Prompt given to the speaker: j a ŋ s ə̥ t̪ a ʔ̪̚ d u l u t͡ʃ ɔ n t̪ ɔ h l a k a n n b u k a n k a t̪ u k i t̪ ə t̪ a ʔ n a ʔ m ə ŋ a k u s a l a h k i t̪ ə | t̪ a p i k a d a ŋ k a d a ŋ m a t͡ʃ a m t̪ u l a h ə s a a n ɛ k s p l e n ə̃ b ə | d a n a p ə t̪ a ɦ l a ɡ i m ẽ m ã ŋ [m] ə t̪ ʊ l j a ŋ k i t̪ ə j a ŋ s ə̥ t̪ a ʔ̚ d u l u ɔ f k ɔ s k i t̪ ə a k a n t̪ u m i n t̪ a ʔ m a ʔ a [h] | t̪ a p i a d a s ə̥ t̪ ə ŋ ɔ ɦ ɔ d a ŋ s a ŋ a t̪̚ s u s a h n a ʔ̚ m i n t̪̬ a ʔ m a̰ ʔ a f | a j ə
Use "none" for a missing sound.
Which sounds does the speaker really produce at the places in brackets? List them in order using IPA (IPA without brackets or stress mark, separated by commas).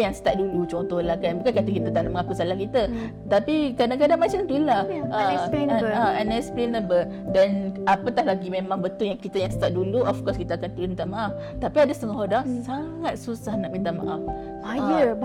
b, f